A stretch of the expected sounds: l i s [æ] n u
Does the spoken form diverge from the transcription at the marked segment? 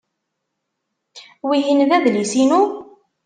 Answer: yes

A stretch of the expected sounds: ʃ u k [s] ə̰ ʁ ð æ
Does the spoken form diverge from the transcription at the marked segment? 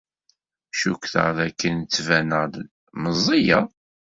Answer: yes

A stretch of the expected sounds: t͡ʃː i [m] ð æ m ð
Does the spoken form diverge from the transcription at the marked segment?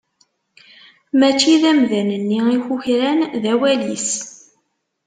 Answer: yes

